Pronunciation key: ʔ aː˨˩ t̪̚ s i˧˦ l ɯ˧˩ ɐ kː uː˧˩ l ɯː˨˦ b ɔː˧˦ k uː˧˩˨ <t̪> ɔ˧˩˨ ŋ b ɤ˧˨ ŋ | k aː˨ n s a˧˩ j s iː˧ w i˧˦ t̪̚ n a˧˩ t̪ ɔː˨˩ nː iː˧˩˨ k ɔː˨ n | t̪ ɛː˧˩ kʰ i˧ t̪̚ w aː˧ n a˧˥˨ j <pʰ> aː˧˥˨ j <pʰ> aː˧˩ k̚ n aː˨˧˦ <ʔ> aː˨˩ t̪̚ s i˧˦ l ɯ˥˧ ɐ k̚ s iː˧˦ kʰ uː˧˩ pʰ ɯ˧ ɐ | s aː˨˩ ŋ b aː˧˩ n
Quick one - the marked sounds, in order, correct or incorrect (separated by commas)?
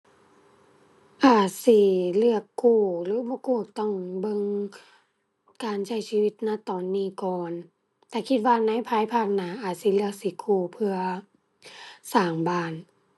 correct, correct, correct, correct